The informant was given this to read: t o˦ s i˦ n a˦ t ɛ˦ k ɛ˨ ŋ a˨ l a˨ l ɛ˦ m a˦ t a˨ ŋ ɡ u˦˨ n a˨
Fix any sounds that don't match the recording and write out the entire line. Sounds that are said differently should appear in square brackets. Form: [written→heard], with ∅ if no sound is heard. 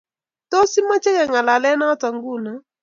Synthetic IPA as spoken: t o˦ s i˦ [n→m] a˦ [t→t͡ʃ] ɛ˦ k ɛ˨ ŋ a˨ l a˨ l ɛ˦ [m→n] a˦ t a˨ ŋ ɡ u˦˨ n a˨